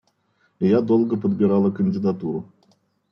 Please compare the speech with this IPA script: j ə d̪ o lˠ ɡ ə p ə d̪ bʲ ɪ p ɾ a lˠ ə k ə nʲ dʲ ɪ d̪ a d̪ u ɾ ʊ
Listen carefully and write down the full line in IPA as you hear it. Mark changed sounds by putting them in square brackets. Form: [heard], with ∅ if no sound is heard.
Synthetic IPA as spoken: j [a] d̪ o lˠ ɡ ə p ə d̪ bʲ ɪ [∅] ɾ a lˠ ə k ə nʲ dʲ ɪ d̪ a [t̪] u ɾ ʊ

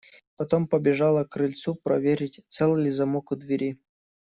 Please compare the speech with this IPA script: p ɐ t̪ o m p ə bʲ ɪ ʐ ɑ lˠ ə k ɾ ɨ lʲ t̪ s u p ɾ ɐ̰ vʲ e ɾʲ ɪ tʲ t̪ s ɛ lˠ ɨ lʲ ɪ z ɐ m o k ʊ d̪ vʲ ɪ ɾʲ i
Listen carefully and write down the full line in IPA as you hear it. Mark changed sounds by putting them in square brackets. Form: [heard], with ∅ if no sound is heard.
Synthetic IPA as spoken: p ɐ t̪ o m p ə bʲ ɪ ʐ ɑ lˠ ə k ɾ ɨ lʲ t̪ s u p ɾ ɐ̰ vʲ e ɾʲ ɪ tʲ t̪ s ɛ lˠ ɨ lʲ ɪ z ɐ m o k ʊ d̪ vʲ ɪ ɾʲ i

